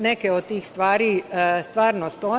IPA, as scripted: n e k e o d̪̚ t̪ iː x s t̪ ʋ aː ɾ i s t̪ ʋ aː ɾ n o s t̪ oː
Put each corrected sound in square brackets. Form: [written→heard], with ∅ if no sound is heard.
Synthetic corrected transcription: n e k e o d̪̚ t̪ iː x s t̪ ʋ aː ɾ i s t̪ ʋ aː ɾ n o s t̪ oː